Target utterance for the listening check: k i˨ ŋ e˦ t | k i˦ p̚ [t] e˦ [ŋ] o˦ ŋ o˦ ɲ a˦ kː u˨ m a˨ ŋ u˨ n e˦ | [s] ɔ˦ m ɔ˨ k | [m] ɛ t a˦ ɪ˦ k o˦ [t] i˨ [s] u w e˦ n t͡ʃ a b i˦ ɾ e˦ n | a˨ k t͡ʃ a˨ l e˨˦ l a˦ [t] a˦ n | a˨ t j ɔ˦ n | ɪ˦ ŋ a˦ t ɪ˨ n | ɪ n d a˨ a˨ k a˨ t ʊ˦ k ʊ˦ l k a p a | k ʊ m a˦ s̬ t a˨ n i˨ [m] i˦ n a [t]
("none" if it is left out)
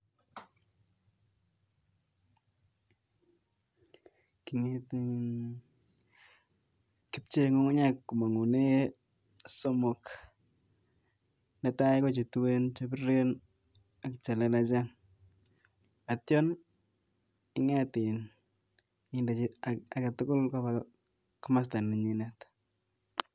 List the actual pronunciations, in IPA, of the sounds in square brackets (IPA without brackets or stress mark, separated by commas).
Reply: t͡ʃ, ŋ, s, n, t͡ʃ, t, t͡ʃ, ɲ, t